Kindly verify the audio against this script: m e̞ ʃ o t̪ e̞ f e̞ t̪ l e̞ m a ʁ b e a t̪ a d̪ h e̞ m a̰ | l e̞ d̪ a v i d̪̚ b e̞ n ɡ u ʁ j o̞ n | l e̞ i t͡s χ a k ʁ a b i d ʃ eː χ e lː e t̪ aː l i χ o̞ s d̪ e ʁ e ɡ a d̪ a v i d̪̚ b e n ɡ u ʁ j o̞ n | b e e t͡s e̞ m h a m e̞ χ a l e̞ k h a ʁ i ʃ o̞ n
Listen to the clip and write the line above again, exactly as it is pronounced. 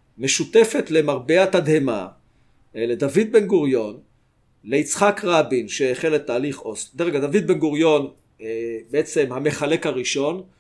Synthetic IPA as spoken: m e̞ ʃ u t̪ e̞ f e̞ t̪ l e̞ m a ʁ b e a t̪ a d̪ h e̞ m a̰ | l e̞ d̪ a v i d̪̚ b e̞ n ɡ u ʁ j o̞ n | l e̞ i t͡s χ a k ʁ a b i n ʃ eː χ e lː e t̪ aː l i χ o̞ s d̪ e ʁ e ɡ a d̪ a v i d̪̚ b e n ɡ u ʁ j o̞ n | b e e t͡s e̞ m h a m e̞ χ a l e̞ k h a ʁ i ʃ o̞ n